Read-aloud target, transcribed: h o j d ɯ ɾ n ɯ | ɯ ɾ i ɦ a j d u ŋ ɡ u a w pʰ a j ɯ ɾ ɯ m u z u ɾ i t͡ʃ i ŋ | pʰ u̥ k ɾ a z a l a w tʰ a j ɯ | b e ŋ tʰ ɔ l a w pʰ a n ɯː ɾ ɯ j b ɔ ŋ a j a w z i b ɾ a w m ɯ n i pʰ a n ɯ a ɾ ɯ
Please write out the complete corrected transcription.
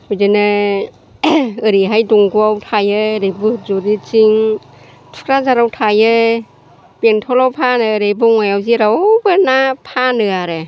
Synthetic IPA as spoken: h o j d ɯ n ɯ | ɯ ɾ i ɦ a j d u ŋ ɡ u a w tʰ a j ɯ ɾ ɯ b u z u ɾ i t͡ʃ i ŋ | tʰ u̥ k ɾ a z a ɾ a w tʰ a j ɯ | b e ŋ tʰ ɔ l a w pʰ a n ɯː ɾ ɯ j b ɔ ŋ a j a w z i ɾ a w b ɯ n a pʰ a n ɯ a ɾ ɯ